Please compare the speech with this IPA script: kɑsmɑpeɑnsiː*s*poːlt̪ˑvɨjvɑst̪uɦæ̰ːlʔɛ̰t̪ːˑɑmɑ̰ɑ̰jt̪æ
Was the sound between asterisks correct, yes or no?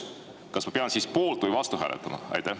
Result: yes